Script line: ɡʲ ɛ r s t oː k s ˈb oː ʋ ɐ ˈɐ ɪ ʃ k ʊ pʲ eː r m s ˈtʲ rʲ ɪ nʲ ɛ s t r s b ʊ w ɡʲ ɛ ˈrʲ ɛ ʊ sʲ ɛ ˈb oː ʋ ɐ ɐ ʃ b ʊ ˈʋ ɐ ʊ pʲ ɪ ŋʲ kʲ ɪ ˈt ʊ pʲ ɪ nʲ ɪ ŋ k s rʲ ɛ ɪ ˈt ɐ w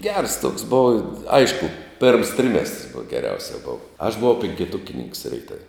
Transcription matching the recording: ɡʲ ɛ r s t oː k s ˈb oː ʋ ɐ ˈɐ ɪ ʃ k ʊ pʲ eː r m s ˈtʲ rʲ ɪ mʲ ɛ s t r s b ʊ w ɡʲ ɛ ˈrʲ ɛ ʊ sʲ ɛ ˈb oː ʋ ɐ ɐ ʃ b ʊ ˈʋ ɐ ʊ pʲ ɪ ŋʲ kʲ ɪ ˈt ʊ kʲ ɪ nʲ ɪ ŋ k s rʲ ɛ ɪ ˈt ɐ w